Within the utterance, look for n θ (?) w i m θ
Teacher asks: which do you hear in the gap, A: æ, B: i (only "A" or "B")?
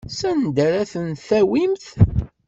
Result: A